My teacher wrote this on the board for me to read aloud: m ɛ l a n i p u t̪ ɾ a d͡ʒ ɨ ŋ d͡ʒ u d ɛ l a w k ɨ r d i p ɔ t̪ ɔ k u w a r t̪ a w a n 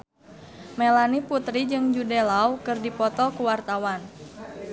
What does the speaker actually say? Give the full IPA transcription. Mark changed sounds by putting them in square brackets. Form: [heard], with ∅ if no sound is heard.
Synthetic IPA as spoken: m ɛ l a n i p u t̪ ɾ [i] d͡ʒ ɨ ŋ d͡ʒ u d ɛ l a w k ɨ r d i p ɔ t̪ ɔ k u w a r t̪ a w a n